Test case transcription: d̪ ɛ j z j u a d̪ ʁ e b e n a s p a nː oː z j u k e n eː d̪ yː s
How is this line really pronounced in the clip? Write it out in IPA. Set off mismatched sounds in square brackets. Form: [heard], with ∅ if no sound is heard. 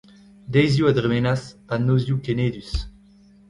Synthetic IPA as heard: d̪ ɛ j z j u a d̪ ʁ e [m] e n a s p a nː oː z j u k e n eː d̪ [y] s